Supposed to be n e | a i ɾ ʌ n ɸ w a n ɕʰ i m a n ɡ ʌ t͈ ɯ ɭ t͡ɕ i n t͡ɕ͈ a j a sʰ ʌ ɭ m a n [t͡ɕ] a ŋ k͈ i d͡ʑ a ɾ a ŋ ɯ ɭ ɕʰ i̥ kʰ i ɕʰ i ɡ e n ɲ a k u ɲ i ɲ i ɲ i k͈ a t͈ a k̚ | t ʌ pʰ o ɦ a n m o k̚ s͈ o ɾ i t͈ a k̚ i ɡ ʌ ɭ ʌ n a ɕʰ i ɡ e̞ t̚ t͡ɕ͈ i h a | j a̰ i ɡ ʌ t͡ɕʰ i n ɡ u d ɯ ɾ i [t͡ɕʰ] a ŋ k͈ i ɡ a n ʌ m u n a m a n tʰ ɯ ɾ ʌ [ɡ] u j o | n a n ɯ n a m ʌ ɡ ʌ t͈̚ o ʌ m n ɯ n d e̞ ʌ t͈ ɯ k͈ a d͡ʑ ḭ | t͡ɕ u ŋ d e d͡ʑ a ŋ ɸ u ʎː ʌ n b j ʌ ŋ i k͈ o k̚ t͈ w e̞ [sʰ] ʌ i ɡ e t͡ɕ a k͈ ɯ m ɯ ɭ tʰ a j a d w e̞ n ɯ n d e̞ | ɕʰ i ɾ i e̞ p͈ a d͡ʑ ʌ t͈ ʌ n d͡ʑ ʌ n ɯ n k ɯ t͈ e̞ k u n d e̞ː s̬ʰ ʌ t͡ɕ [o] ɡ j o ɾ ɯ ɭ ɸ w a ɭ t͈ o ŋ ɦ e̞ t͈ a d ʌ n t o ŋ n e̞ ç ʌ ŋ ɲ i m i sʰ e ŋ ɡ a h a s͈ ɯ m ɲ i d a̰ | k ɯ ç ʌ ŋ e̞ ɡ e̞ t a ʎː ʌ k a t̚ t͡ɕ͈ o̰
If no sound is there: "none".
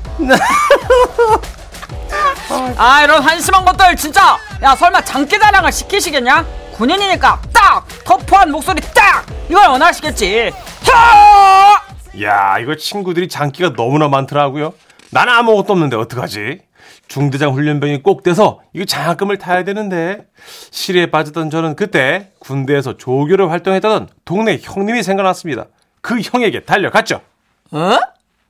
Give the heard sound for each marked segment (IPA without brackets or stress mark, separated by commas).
t͡ɕ, t͡ɕ, ɡ, sʰ, o